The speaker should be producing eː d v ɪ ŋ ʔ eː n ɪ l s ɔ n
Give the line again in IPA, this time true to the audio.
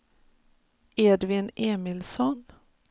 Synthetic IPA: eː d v ɪ n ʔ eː m ɪ l s ɔ n